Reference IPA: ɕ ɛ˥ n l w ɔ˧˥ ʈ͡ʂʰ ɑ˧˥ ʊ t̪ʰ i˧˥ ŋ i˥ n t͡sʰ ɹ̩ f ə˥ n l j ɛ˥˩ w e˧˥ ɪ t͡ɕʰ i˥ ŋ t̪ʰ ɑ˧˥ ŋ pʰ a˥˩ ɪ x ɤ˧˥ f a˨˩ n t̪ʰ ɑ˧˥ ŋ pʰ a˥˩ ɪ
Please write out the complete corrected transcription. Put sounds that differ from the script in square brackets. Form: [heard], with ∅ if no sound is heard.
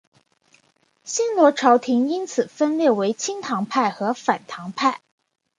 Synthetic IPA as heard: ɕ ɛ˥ n l w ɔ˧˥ ʈ͡ʂʰ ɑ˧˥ ʊ t̪ʰ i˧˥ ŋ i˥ n t͡sʰ ɹ̩ f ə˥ n l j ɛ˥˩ w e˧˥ ɪ t͡ɕʰ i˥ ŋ t̪ʰ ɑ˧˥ ŋ pʰ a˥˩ ɪ x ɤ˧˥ f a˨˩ n t̪ʰ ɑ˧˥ ŋ pʰ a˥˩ ɪ